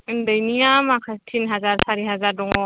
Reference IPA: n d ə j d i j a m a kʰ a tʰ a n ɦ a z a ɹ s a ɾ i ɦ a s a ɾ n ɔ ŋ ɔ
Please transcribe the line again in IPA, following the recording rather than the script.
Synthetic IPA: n d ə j n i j a m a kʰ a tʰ i n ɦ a z a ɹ s a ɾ i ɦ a z a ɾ d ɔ ŋ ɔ

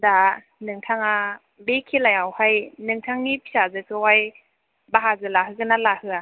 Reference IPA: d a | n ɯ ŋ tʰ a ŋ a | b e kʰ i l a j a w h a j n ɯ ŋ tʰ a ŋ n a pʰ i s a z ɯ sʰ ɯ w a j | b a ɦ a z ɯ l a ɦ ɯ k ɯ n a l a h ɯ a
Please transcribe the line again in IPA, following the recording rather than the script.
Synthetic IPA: d a | n ɯ ŋ tʰ a ŋ a | b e kʰ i l a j a w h a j n ɯ ŋ tʰ a ŋ n i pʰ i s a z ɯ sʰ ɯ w a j | b a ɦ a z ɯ l a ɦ ɯ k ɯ n a l a h ɯ a

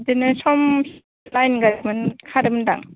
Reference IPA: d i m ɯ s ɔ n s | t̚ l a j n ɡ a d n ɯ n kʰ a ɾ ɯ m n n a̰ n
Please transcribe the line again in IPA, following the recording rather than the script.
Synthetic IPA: d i n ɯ s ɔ m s | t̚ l a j n ɡ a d m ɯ n kʰ a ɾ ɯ m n d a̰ ŋ

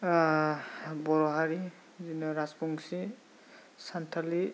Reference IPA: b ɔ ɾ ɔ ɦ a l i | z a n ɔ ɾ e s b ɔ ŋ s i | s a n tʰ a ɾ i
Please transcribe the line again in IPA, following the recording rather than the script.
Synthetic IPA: b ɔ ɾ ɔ ɦ a ɾ i | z i n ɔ ɾ a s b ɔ ŋ s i | s a n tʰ a l i

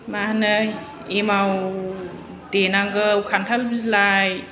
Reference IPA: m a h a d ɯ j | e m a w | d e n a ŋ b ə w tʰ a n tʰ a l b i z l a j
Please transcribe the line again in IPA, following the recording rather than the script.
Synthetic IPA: m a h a n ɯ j | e m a w | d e n a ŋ ɡ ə w kʰ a n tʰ a l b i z l a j

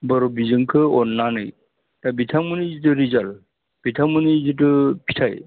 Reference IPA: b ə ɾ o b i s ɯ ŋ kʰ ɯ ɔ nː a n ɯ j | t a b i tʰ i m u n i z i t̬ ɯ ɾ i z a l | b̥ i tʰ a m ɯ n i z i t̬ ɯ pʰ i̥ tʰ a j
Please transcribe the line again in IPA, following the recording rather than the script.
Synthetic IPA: b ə ɾ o b i z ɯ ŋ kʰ ɯ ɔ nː a n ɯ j | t a b i tʰ a m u n i z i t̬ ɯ ɾ i z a l | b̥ i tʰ a m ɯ n i z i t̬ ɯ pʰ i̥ tʰ a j

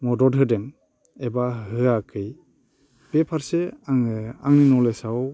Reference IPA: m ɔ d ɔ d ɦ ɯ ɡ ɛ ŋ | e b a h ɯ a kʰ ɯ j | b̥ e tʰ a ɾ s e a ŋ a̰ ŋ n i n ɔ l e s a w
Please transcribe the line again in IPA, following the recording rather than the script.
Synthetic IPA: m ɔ d ɔ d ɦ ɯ d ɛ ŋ | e b a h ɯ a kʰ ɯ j | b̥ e pʰ a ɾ s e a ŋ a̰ ŋ n i n ɔ l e s a w

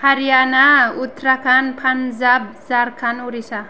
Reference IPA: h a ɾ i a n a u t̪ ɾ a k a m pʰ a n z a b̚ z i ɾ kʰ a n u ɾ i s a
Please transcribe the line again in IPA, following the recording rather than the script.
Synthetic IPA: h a ɾ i a n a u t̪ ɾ a k a n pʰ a n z a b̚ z a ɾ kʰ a n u ɾ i s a

